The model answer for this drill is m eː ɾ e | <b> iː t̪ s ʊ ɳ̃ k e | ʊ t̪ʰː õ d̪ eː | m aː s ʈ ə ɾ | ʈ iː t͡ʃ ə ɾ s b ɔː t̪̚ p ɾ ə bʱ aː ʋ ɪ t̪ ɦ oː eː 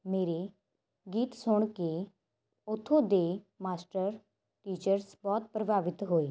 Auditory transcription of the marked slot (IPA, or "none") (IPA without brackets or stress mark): ɡ